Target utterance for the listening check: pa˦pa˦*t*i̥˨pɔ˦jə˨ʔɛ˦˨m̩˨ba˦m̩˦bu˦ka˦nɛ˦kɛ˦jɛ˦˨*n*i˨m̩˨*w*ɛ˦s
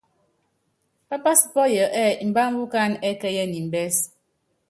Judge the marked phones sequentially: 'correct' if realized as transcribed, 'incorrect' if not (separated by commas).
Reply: incorrect, correct, incorrect